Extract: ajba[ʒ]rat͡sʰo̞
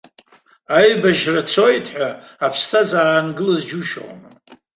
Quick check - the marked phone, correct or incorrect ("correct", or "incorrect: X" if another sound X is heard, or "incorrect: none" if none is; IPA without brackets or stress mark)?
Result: correct